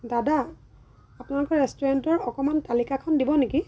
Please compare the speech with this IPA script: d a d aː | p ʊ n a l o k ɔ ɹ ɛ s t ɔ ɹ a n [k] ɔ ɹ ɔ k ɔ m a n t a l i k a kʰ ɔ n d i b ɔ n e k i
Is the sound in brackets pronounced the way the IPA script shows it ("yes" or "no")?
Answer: no